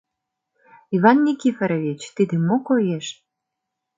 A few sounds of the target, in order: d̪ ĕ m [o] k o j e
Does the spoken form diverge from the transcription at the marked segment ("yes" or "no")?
no